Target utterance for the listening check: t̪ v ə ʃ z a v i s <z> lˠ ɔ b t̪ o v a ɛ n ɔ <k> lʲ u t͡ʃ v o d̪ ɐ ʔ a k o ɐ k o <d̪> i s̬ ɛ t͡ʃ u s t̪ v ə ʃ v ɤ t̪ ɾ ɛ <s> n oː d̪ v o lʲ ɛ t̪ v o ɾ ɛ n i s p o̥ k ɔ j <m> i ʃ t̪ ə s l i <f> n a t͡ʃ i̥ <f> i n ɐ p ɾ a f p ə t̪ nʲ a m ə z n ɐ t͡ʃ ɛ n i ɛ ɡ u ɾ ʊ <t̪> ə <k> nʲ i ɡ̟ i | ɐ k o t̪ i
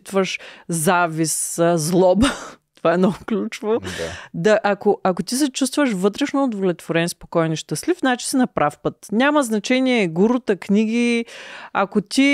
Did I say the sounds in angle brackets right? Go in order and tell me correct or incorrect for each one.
correct, correct, incorrect, incorrect, incorrect, correct, incorrect, correct, correct

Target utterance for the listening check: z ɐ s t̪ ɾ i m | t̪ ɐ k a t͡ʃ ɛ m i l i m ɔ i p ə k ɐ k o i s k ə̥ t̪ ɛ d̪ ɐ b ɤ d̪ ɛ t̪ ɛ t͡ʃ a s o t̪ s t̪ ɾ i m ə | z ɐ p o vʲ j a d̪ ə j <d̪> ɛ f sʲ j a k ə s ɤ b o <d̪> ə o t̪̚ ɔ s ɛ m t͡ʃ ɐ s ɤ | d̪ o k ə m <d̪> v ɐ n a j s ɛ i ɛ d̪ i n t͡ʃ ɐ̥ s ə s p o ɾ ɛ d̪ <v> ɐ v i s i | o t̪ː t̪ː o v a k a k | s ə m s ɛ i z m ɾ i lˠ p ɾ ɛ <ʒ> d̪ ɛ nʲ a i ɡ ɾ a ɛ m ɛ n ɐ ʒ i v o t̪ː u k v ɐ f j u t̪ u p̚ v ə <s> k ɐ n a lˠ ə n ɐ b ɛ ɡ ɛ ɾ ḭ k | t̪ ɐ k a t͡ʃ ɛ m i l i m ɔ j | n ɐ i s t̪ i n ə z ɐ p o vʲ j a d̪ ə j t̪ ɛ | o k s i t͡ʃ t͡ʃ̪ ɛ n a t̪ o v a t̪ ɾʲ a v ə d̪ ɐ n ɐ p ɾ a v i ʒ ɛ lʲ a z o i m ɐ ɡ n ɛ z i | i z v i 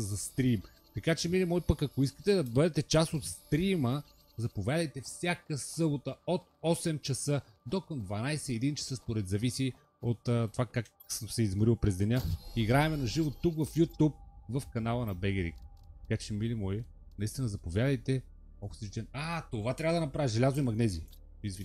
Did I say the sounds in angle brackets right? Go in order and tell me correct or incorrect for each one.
incorrect, incorrect, correct, incorrect, incorrect, incorrect

